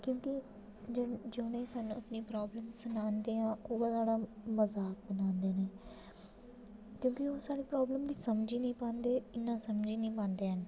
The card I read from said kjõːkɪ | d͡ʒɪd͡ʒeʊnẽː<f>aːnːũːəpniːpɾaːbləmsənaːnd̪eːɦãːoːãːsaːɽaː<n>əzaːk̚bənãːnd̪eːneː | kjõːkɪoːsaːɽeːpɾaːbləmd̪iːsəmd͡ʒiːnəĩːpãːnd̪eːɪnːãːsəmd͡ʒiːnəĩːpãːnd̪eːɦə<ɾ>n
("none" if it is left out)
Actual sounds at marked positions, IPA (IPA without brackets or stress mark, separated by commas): s, m, none